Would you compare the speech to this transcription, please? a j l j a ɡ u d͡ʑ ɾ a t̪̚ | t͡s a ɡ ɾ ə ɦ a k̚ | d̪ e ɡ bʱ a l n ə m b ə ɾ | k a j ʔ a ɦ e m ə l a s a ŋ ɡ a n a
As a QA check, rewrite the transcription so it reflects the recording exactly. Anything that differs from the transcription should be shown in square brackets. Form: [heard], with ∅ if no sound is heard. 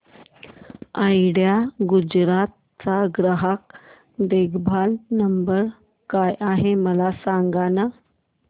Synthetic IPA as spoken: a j [ɽ] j a ɡ u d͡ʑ ɾ a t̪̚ | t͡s a ɡ ɾ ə ɦ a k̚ | d̪ e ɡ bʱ a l n ə m b ə ɾ | k a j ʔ a ɦ e m ə l a s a ŋ ɡ a n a